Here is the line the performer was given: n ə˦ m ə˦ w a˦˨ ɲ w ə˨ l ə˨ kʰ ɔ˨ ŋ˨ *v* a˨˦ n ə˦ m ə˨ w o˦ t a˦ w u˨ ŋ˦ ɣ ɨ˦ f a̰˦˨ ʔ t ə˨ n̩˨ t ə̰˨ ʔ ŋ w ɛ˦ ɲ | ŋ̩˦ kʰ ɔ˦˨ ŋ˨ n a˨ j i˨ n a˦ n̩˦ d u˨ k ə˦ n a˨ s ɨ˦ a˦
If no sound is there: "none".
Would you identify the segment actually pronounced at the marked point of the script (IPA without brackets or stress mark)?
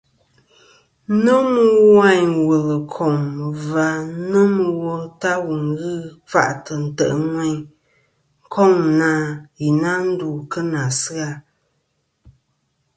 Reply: v